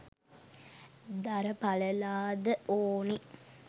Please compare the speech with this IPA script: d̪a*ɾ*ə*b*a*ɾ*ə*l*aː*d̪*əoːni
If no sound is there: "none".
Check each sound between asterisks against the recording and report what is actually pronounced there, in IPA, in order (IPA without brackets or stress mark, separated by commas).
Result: ɾ, p, l, l, d̪